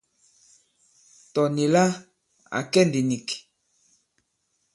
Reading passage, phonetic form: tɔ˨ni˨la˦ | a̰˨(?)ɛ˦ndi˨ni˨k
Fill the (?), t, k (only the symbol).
k